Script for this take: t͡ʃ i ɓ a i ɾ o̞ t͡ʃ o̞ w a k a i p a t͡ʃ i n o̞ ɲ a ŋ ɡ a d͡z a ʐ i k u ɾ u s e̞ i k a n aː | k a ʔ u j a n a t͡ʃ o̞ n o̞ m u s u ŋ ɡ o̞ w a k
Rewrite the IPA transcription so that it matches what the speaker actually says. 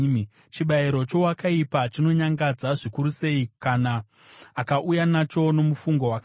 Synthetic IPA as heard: t͡ʃ i ɓ a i ɾ o̞ t͡ʃ o̞ w a k a i p a t͡ʃ i n o̞ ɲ a ŋ ɡ a d͡z a ʐ i k u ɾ u s e̞ i k a n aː | k a ʔ u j a n a t͡ʃ o̞ n o̞ m u f u ŋ ɡ o̞ w a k